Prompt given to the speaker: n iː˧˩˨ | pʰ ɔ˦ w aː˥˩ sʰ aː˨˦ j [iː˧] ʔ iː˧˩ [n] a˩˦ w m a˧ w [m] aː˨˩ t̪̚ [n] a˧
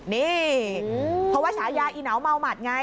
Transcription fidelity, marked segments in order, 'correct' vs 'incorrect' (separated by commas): incorrect, correct, correct, incorrect